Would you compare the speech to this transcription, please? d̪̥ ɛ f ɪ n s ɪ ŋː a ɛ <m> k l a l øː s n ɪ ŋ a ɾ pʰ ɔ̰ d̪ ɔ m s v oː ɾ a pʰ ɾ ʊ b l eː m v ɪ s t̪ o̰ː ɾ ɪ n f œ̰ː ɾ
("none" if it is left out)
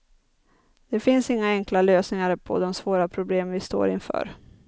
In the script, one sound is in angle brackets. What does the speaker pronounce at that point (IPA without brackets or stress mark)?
ŋ